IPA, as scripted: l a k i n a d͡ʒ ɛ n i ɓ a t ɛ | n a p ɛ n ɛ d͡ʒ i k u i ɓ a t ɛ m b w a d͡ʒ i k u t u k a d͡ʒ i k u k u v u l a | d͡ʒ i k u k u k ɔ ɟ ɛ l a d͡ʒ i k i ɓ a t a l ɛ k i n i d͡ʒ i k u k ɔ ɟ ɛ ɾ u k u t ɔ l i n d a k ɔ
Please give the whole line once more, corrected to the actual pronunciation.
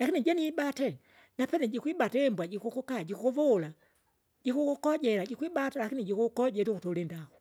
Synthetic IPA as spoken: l a k i n i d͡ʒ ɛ n i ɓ a t ɛ | n a p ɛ n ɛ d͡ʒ i k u i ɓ a t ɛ m b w a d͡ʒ i k u k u k a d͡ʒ i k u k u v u l a | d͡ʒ i k u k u k ɔ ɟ ɛ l a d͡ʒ i k i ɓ a t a l a k i n i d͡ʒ i k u k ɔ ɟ ɛ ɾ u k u t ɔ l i n d a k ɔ